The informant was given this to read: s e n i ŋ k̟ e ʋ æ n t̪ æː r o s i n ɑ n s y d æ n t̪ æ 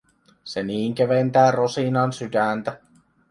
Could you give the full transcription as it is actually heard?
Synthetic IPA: s e n iː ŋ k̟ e ʋ e n t̪ æː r o s i n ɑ n s y d æ n t̪ æ